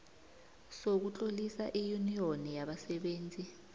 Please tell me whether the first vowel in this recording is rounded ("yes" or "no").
yes